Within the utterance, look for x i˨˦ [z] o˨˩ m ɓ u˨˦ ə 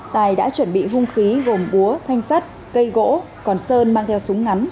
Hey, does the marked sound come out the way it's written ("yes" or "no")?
no